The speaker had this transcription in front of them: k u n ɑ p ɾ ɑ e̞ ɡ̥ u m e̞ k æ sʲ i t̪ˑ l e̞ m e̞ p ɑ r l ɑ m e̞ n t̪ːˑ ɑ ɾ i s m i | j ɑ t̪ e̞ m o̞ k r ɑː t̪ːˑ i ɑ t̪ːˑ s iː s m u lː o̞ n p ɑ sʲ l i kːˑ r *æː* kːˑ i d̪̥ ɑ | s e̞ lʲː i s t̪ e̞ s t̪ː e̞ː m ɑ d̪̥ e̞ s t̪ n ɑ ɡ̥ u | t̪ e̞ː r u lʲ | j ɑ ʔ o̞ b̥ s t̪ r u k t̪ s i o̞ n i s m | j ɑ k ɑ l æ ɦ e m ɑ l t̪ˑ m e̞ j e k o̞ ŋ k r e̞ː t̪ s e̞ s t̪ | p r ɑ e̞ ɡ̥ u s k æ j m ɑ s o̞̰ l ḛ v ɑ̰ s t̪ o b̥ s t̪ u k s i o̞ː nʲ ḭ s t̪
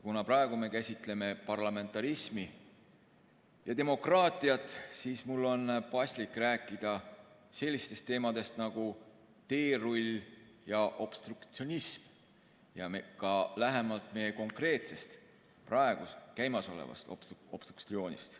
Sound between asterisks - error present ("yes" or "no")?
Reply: no